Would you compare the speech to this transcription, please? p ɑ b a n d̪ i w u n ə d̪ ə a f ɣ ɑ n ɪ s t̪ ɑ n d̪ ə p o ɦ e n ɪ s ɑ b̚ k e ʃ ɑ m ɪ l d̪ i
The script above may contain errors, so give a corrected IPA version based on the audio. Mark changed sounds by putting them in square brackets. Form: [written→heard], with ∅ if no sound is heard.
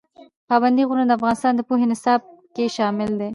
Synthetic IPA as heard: p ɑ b a n d̪ i [w→ɣ] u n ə d̪ ə a f ɣ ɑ n ɪ s t̪ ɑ n d̪ ə p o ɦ e n ɪ s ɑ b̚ k e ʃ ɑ m ɪ l d̪ [i→e]